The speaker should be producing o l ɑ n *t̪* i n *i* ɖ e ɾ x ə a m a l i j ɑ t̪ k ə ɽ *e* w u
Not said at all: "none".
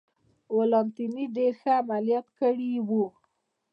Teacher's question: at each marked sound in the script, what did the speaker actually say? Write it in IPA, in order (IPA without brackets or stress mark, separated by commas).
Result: t̪, i, i